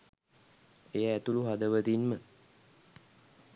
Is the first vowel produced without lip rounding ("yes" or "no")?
yes